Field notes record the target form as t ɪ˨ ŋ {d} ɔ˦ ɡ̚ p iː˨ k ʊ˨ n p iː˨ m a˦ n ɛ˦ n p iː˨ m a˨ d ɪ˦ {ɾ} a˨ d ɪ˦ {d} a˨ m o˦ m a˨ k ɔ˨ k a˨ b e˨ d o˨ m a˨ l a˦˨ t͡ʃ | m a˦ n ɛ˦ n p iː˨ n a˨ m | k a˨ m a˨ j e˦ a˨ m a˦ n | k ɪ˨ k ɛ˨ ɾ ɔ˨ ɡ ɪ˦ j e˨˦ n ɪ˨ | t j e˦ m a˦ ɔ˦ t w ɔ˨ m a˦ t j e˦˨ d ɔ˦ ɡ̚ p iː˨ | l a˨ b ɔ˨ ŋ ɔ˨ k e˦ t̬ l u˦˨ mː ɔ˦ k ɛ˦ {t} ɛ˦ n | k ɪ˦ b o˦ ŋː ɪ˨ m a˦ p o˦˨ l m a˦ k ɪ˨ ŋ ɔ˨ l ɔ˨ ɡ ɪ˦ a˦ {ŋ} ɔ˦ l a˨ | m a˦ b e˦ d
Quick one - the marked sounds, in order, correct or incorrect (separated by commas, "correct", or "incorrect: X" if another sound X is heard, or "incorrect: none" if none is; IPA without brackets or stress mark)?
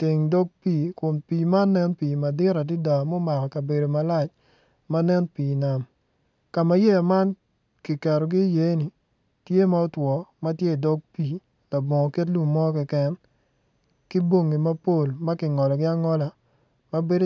correct, correct, correct, incorrect: k, correct